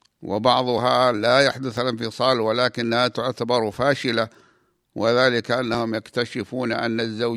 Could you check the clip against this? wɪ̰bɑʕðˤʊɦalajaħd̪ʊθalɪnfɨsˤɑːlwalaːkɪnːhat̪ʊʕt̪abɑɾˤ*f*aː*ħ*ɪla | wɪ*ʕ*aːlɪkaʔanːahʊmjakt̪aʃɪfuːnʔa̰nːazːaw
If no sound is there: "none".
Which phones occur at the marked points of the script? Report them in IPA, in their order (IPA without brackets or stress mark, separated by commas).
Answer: f, ʃ, ð